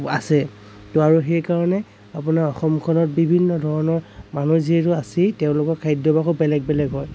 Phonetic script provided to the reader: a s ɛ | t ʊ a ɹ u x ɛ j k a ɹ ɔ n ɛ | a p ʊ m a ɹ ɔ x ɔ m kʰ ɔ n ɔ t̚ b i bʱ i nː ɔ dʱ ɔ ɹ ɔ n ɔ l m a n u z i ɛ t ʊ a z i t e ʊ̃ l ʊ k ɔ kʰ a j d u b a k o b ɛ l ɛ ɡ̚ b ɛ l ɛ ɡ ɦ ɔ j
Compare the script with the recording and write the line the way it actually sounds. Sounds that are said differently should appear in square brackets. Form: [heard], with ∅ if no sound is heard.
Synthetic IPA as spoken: a s ɛ | t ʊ a ɹ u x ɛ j k a ɹ ɔ n ɛ | a p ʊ [n] a ɹ ɔ x ɔ m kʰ ɔ n ɔ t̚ b i bʱ i nː ɔ dʱ ɔ ɹ ɔ n ɔ [ɹ] m a n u z i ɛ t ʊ a [s] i t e ʊ̃ l ʊ k ɔ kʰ a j d [ɔ] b a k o b ɛ l ɛ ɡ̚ b ɛ l ɛ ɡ ɦ ɔ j